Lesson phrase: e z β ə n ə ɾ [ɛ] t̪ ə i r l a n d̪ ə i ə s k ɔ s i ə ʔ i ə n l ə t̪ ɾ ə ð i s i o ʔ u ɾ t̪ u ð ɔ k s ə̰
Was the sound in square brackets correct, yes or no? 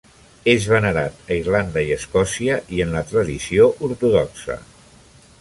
no